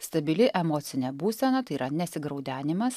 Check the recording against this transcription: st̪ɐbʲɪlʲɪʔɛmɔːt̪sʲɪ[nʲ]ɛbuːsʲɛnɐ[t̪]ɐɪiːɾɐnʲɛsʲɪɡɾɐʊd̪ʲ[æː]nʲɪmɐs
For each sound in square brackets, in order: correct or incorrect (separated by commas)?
correct, correct, correct